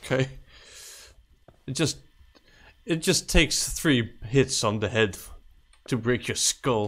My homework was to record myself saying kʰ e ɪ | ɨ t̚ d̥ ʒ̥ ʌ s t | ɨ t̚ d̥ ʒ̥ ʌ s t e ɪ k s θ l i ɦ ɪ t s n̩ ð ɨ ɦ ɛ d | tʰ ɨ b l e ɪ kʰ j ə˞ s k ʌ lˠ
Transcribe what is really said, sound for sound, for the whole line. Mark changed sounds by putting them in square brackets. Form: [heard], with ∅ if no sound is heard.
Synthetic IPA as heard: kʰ e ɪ | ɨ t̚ d̥ ʒ̥ ʌ s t | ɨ t̚ d̥ ʒ̥ ʌ s [tʰ] e ɪ k s θ [ɹ] i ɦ ɪ t s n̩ ð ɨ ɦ ɛ d | tʰ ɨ b [ɹ] e ɪ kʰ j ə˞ s k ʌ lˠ